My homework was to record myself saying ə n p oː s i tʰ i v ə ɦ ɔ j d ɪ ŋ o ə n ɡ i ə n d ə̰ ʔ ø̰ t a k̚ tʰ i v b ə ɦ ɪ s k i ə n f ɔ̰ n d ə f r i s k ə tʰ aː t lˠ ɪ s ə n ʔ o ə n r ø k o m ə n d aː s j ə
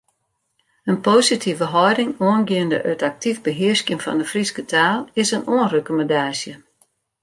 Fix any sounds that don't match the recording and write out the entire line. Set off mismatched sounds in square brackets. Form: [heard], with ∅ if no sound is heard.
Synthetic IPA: ə n p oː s i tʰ i v ə ɦ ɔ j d ɪ ŋ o ə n ɡ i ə n d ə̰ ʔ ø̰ t a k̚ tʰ i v b ə ɦ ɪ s k [j] ə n f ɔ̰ n d ə f r i s k ə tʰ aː [∅] lˠ ɪ s ə n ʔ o ə n r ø k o m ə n d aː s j ə